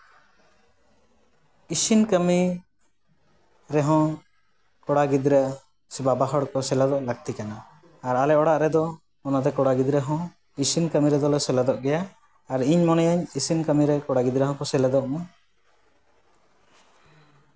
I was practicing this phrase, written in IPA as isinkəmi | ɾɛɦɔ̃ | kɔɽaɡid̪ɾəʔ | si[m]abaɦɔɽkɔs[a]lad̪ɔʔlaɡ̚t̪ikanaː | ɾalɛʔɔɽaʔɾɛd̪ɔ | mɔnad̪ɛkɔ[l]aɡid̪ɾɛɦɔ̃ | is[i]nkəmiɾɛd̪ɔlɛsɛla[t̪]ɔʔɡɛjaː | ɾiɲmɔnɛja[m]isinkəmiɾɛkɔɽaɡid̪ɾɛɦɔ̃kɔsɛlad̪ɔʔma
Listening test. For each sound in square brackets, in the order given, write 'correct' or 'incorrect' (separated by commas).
incorrect, incorrect, incorrect, correct, incorrect, incorrect